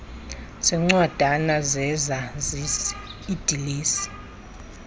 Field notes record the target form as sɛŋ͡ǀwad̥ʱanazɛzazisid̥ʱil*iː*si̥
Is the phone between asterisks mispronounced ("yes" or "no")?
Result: no